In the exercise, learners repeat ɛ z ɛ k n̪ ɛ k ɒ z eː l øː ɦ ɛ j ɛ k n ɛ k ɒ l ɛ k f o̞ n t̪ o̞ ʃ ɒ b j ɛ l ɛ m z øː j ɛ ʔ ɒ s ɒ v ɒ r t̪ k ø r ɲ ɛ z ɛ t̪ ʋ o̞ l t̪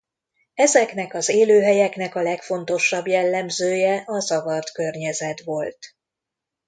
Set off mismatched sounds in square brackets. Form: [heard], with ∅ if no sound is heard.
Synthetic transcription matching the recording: ɛ z ɛ k n̪ ɛ k ɒ z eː l øː ɦ ɛ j ɛ k n ɛ k ɒ l ɛ k f o̞ n t̪ o̞ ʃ ɒ b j ɛ [lː] ɛ m z øː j ɛ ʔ ɒ [z] ɒ v ɒ r t̪ k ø r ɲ ɛ z ɛ t̪ ʋ o̞ l t̪